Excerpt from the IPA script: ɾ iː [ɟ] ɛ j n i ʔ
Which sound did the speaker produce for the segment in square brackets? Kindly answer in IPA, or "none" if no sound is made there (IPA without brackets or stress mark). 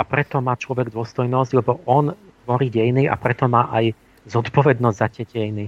ɟ